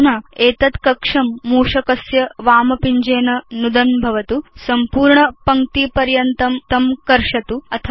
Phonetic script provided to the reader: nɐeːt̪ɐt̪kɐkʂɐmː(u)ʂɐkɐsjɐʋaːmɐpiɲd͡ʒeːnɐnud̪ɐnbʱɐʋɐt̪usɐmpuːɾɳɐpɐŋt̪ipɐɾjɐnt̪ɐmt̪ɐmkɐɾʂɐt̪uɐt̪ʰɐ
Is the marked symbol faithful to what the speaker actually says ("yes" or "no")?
no